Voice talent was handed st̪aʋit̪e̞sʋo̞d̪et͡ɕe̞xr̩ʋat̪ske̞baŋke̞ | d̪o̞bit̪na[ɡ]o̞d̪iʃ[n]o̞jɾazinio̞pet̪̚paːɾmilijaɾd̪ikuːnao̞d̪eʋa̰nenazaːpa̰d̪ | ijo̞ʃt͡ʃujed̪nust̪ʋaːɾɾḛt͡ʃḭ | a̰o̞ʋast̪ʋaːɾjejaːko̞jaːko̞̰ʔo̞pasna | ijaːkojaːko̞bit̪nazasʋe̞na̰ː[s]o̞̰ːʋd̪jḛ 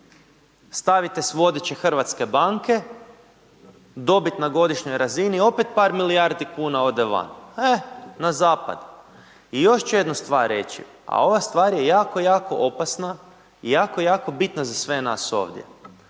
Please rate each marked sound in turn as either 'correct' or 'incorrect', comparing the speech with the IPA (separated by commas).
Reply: correct, incorrect, correct